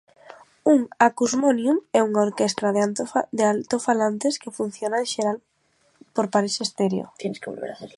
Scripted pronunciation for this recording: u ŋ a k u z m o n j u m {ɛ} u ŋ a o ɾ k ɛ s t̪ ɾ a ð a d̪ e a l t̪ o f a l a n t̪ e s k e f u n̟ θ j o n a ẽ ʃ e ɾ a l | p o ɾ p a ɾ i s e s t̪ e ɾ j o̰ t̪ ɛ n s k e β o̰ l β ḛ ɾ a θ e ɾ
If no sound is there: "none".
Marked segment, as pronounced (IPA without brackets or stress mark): ɛ